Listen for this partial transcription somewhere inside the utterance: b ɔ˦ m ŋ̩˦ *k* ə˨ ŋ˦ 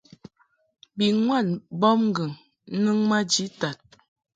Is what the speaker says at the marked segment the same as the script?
no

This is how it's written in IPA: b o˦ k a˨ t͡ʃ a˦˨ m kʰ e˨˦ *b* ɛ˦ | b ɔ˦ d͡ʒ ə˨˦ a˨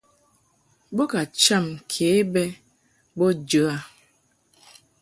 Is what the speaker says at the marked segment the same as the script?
yes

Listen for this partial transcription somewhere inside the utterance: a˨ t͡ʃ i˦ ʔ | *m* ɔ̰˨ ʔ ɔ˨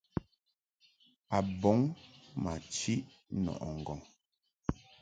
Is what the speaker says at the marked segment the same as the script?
no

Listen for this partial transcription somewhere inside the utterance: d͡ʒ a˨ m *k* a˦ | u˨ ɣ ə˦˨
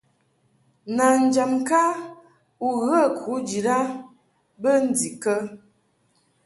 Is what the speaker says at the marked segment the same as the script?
yes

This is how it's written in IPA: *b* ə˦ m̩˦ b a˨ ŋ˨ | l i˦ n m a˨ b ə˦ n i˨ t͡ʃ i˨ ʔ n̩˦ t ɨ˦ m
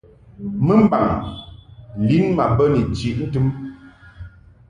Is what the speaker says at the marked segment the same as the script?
no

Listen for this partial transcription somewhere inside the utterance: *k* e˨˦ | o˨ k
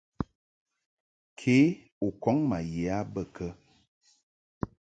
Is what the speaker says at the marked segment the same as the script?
no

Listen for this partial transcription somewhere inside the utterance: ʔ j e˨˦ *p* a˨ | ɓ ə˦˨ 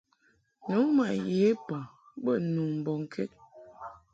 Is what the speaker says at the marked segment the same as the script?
yes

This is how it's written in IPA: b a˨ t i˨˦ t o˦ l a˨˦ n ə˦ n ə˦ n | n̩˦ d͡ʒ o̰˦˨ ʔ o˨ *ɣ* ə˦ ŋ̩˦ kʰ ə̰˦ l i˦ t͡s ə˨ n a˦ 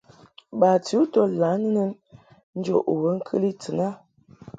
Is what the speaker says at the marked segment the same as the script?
no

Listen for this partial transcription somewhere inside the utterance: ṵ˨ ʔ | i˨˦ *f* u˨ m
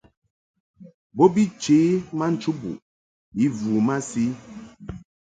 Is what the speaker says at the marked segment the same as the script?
no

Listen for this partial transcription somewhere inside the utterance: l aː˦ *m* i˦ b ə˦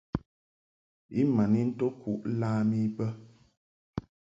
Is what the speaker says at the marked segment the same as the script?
yes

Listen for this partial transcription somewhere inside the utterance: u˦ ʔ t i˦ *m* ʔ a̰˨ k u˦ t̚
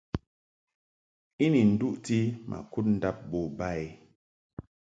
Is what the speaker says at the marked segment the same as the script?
yes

